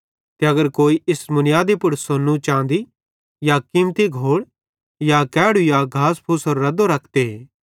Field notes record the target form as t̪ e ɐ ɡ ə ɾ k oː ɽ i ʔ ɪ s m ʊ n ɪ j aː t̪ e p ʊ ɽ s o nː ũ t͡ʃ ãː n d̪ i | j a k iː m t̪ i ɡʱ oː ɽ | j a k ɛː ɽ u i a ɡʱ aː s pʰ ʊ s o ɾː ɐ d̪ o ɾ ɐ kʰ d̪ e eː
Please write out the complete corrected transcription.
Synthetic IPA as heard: t̪ e ɐ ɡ ə ɾ k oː i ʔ ɪ s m ʊ n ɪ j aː d̪ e p ʊ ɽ s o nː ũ t͡ʃ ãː n d̪ i | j a k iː m t̪ i ɡʱ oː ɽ | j a k ɛː ɽ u j a ɡʱ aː s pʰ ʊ s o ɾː ɐ d̪ o ɾ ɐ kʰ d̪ e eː